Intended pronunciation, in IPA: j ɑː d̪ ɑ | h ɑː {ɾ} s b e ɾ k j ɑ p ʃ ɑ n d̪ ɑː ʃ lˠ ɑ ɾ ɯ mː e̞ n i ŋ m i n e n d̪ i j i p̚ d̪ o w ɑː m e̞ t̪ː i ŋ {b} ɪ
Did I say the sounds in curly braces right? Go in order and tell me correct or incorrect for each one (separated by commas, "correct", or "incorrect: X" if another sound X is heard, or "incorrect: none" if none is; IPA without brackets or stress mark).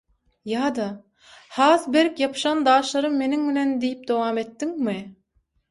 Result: incorrect: none, incorrect: m